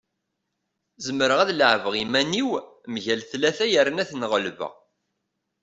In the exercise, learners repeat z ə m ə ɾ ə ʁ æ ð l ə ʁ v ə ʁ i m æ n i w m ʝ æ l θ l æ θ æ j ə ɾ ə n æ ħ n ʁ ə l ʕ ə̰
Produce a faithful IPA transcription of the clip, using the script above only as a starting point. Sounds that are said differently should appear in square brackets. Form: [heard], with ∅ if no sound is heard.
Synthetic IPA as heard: z ə m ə ɾ ə ʁ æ ð l ə [ʕ] v ə ʁ i m æ n i w m ʝ æ l θ l æ θ æ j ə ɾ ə n æ [θ] n ʁ ə l [v] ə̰